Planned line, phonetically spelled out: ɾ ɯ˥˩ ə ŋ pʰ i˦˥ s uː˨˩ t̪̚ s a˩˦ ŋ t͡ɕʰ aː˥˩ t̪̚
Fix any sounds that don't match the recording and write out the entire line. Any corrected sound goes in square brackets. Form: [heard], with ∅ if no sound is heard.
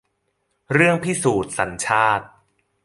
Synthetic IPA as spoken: ɾ ɯ˥˩ ə ŋ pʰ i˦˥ s uː˨˩ t̪̚ s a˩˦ [n] t͡ɕʰ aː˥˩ t̪̚